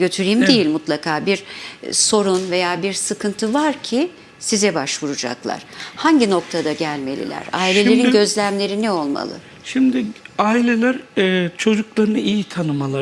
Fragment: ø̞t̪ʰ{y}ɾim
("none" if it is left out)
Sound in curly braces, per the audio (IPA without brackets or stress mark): y